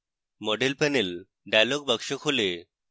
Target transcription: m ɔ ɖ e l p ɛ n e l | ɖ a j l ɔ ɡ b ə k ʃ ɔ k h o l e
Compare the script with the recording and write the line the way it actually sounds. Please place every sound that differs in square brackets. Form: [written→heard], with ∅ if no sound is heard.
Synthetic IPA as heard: m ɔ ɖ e l p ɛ n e l | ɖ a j l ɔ ɡ b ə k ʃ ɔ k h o l e